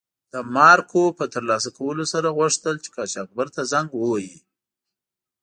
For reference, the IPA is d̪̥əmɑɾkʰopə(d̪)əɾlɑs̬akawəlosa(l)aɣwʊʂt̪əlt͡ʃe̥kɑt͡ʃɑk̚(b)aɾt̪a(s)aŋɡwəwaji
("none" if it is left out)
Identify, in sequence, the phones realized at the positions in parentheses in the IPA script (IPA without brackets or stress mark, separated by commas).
t̪, ɾ, b, z